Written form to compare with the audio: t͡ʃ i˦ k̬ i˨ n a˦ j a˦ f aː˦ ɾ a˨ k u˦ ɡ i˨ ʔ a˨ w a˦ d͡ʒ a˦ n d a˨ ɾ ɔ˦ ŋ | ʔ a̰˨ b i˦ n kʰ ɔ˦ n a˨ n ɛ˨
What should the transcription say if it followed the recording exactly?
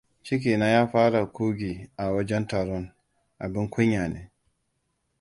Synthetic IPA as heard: t͡ʃ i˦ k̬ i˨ n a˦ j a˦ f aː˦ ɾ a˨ k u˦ ɡ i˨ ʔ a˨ w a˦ d͡ʒ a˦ n t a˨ ɾ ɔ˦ n | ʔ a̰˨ b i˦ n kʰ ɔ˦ ɲ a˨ n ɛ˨